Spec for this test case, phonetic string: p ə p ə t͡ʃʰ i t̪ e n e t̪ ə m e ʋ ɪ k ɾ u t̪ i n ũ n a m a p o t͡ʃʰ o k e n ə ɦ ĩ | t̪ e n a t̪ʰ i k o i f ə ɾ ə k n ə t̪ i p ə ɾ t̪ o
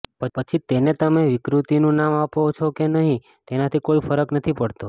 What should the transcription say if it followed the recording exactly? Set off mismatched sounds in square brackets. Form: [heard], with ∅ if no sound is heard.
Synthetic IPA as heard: p ə p ə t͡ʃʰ i t̪ e n e t̪ ə m e ʋ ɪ k ɾ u t̪ i n ũ n a m a p o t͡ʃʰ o k e n ə ɦ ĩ | t̪ e n a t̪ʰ i k o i f ə ɾ ə k n ə [t̪ʰ] i p ə [ɽ] t̪ o